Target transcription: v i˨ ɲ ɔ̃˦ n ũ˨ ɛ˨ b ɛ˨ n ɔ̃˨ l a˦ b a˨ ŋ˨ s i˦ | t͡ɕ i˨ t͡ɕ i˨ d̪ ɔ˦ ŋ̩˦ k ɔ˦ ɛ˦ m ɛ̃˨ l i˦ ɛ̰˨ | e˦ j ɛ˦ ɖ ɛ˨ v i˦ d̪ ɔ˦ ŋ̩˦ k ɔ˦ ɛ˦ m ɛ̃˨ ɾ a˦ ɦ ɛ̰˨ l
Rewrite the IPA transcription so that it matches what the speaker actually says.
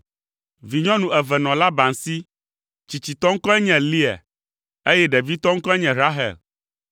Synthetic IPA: v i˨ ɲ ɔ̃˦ n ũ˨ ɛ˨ v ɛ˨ n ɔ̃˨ l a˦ b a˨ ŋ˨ s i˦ | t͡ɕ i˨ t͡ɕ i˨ t̪ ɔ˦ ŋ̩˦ k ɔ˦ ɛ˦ ɲ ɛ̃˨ l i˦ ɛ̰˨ | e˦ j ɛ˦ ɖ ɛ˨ v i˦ t̪ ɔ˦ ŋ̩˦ k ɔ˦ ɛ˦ ɲ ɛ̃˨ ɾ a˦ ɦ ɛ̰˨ l